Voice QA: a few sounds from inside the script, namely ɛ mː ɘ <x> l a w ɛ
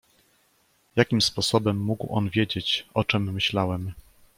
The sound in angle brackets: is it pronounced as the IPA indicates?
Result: no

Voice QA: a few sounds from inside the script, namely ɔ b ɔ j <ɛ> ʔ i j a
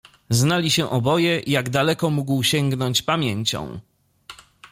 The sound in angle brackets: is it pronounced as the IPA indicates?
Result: yes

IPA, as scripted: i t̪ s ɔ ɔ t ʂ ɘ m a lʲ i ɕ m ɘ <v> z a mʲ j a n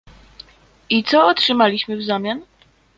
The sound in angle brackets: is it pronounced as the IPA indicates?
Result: yes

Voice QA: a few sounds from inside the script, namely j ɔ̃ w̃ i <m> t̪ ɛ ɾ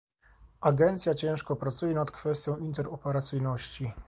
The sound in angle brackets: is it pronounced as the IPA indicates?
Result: no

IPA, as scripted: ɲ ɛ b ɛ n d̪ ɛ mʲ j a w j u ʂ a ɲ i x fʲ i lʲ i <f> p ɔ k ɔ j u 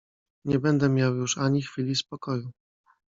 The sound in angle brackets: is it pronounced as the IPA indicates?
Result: no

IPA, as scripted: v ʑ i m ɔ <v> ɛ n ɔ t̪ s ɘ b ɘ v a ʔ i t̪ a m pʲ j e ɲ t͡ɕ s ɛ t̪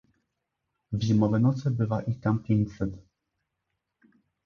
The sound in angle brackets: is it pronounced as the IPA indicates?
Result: yes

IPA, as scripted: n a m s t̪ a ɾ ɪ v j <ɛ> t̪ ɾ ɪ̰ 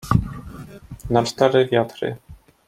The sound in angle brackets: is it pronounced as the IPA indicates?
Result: no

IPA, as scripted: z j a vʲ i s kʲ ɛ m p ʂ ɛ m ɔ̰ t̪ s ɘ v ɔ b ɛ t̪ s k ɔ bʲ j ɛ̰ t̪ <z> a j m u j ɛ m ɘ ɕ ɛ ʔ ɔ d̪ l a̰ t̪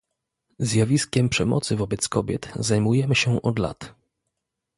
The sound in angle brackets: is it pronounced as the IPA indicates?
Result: yes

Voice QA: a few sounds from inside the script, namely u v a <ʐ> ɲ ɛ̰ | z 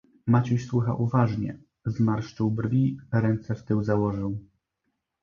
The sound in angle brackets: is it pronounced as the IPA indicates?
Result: yes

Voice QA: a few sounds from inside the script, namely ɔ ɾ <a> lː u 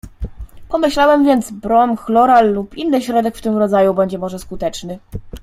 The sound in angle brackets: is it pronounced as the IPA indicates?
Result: yes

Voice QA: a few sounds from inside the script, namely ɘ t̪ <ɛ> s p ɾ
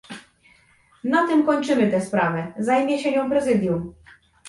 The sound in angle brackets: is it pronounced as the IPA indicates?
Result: yes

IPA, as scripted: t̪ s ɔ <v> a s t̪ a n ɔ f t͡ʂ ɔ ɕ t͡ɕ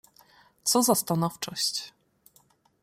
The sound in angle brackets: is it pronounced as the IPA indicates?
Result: no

